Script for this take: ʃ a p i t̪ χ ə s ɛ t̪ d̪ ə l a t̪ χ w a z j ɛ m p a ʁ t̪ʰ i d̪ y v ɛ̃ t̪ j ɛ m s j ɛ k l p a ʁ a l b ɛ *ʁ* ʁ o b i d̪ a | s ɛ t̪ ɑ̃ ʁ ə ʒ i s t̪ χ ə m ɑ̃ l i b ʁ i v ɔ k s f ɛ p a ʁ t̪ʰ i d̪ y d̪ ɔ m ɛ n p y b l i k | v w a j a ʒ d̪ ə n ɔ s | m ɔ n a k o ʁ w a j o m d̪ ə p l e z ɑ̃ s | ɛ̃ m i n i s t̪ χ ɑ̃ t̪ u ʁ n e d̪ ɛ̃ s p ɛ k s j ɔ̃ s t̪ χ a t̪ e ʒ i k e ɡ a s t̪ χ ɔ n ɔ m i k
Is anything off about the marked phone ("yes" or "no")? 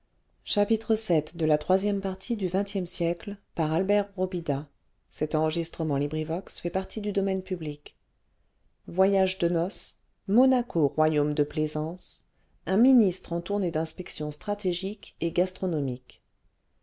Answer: no